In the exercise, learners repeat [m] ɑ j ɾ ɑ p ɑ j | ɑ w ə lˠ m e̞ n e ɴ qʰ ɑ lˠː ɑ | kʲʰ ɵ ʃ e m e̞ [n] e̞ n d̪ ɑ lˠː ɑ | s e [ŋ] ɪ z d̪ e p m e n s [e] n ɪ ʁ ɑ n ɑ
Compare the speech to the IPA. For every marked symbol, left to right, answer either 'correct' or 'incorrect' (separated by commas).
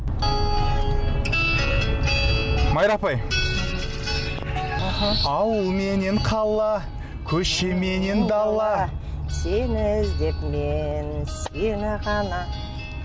correct, correct, incorrect, correct